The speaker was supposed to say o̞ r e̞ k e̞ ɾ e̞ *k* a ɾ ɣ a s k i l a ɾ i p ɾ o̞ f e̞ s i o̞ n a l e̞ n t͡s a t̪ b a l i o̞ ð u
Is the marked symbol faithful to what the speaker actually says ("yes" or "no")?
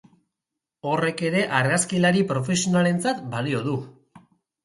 no